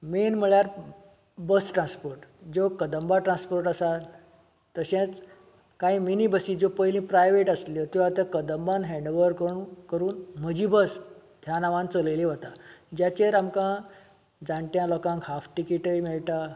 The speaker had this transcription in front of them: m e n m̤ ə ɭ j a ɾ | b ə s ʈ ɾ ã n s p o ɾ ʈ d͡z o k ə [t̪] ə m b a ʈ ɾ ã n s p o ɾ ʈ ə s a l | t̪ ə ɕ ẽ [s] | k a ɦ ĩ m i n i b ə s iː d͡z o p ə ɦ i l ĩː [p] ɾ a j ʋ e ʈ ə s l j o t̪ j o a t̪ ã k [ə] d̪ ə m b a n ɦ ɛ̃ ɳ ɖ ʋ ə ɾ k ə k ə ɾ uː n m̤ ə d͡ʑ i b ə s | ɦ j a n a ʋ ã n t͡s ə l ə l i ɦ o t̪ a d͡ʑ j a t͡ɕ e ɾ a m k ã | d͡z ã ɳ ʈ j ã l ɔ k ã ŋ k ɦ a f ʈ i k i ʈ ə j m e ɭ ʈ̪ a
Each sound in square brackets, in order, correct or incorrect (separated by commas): incorrect, incorrect, correct, correct